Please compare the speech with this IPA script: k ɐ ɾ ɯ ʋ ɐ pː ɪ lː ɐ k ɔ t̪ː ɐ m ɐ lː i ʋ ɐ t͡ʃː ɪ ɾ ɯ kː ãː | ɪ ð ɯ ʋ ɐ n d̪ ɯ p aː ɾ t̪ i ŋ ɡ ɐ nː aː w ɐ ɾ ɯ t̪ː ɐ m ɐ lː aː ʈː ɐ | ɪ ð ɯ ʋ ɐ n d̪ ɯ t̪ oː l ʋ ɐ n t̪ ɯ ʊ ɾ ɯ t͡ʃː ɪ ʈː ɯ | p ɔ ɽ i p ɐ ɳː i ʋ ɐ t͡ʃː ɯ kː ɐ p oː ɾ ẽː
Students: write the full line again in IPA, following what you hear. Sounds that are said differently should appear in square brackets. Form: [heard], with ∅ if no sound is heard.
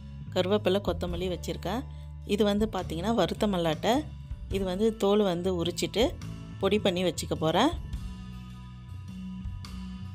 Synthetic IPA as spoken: k ɐ ɾ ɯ ʋ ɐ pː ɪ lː ɐ k ɔ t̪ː ɐ m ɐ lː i ʋ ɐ t͡ʃː ɪ ɾ ɯ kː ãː | ɪ ð ɯ ʋ ɐ n d̪ ɯ p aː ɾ t̪ i ŋ ɡ ɐ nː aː [ʋ] ɐ ɾ ɯ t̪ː ɐ m ɐ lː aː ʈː ɐ | ɪ ð ɯ ʋ ɐ n d̪ ɯ t̪ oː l ʋ ɐ n [d̪] ɯ ʊ ɾ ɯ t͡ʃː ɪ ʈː ɯ | p ɔ ɽ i p ɐ ɳː i ʋ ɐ t͡ʃː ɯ kː ɐ p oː ɾ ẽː